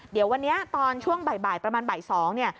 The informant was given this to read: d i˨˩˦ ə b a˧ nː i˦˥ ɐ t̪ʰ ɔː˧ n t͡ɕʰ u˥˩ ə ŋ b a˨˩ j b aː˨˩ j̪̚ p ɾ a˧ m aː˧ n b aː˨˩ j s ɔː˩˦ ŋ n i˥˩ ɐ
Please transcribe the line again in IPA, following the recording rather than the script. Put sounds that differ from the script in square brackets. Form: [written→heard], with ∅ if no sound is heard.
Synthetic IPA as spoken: d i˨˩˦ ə [b→w] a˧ nː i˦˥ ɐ [t̪ʰ→t̪] ɔː˧ n t͡ɕʰ u˥˩ ə ŋ b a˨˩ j b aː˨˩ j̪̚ p ɾ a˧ m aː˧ n b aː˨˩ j s ɔː˩˦ ŋ n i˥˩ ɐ